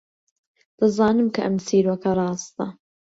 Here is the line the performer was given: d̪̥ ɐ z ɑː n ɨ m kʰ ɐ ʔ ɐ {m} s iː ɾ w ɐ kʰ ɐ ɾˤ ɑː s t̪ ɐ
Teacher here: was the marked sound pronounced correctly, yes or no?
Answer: yes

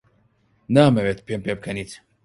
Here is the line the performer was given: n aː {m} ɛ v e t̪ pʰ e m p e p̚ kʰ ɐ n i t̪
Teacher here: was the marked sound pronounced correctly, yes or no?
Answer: yes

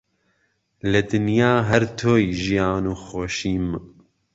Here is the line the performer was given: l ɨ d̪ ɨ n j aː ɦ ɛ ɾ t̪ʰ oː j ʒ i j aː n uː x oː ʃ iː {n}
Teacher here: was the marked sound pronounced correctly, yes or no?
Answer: no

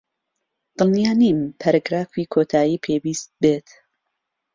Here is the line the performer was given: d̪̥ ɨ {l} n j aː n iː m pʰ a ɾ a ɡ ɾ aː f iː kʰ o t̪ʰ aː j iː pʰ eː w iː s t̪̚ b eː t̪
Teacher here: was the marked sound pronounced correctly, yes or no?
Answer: yes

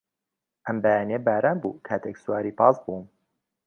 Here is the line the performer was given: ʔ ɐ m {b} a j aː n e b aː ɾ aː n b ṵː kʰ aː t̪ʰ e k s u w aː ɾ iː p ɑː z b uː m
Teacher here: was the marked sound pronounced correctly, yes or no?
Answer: yes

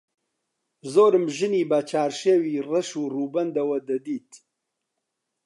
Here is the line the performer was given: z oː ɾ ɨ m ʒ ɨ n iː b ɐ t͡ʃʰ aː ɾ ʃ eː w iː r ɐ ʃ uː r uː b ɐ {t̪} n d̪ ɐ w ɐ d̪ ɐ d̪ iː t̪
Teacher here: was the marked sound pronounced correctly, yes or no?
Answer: no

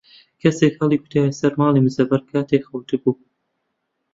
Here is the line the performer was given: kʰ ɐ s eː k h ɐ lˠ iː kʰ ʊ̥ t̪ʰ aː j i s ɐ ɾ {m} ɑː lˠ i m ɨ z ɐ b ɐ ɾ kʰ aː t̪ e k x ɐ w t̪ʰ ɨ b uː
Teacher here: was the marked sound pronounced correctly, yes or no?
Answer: yes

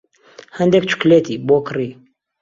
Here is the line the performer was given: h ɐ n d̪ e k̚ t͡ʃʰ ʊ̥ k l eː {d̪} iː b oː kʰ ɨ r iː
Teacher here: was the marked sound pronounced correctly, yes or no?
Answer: no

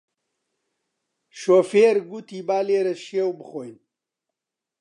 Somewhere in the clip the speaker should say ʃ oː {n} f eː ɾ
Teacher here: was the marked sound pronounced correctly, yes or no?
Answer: no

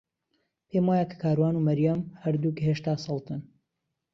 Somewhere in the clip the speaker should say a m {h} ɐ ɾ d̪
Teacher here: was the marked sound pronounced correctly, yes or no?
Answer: yes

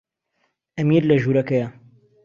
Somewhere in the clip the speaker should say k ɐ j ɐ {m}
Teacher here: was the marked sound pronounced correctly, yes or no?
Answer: no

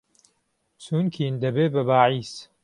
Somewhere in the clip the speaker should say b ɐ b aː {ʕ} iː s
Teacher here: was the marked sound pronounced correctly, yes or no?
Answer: yes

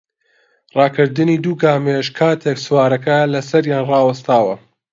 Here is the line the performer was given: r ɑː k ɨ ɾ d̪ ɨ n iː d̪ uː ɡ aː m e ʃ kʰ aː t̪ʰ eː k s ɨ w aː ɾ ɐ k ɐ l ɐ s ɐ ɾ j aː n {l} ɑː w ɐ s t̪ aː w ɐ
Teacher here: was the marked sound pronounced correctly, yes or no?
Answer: no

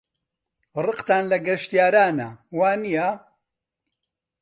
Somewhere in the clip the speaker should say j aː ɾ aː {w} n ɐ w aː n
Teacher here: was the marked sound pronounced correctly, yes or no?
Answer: no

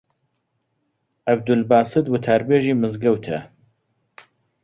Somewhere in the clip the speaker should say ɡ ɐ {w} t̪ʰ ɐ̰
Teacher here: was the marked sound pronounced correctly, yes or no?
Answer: yes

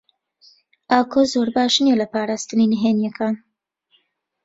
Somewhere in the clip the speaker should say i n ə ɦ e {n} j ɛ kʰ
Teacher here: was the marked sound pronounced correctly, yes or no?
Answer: yes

